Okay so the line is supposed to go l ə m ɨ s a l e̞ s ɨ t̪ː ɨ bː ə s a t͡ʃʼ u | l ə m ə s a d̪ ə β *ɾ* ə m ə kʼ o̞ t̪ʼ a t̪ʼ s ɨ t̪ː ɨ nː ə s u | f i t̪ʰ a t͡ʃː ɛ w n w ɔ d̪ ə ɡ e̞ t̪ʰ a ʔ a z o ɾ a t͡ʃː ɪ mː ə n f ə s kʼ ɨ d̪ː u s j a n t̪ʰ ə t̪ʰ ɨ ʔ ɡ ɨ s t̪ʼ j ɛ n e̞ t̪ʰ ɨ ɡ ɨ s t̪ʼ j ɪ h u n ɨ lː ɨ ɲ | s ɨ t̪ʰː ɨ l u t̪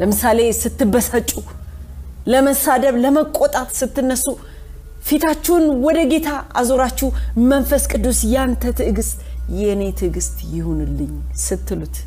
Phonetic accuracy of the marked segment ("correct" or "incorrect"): incorrect